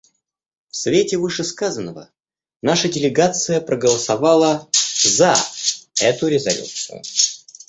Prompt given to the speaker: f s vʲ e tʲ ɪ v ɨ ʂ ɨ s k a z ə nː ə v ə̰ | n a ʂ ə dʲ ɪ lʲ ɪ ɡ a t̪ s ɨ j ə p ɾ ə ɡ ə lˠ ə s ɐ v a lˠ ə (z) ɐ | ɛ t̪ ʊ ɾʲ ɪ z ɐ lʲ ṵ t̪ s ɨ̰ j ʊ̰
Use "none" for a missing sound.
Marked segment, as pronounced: z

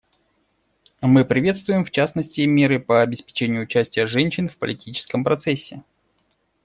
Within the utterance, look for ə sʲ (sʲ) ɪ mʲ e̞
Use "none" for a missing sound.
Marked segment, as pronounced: tʲ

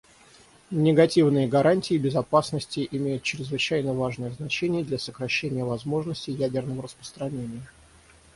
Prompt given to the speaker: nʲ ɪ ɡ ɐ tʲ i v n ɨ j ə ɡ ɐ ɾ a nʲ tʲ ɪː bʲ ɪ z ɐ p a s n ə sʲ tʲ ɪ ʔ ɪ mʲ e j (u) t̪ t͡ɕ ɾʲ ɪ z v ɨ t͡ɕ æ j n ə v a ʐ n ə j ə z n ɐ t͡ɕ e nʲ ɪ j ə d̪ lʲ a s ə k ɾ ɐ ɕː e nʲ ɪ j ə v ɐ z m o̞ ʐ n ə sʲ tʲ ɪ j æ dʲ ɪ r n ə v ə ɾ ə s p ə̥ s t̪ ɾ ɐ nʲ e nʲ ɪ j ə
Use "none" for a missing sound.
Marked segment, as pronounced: ʊ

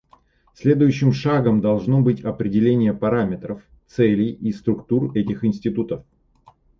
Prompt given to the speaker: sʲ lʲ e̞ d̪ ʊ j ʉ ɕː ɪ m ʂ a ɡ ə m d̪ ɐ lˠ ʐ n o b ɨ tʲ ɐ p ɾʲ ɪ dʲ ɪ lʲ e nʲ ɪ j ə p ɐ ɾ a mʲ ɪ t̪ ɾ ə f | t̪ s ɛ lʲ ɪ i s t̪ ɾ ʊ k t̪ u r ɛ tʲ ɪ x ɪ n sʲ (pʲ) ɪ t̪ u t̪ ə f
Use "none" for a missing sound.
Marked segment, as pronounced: tʲ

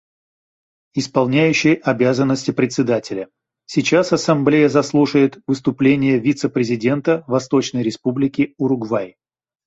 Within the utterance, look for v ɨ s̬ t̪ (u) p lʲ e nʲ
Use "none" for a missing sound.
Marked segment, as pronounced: ʊ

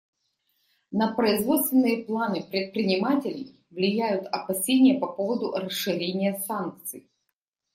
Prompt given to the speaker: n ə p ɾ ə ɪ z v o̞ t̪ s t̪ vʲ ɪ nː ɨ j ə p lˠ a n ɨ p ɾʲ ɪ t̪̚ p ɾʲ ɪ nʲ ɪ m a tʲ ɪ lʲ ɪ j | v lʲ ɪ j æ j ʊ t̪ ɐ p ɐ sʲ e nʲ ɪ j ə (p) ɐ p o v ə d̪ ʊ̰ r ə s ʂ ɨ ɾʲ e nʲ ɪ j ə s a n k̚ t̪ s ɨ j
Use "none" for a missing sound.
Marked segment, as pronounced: p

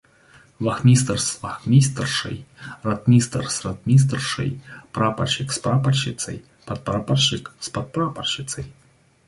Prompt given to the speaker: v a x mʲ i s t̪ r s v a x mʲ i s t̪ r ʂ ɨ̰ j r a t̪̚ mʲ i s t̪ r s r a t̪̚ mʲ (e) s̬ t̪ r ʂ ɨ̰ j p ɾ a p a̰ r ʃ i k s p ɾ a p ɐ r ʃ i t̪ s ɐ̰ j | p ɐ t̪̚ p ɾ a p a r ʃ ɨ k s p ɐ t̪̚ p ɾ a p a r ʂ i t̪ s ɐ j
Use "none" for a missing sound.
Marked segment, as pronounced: i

